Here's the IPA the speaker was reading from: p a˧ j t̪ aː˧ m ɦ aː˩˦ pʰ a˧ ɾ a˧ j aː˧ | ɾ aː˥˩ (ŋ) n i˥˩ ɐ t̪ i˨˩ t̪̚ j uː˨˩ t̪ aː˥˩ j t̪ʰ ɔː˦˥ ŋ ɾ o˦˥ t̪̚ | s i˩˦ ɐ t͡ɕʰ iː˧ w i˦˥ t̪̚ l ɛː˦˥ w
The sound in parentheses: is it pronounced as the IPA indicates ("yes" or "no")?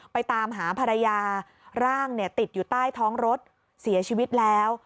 yes